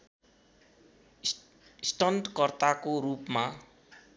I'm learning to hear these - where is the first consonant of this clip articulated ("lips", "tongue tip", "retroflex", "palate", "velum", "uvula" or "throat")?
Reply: tongue tip